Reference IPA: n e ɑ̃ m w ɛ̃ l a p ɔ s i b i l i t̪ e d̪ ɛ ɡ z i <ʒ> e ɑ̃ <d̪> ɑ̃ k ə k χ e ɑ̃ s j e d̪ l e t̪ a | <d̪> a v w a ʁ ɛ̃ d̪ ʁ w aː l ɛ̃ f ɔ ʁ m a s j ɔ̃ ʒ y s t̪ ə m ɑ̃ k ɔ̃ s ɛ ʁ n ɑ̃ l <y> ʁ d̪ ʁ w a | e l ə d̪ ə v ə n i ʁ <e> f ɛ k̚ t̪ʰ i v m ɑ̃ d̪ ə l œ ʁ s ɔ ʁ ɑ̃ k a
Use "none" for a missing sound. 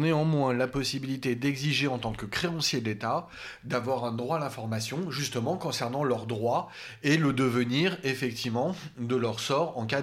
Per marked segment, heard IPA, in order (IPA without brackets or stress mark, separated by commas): ʒ, t̪, d̪, œ, e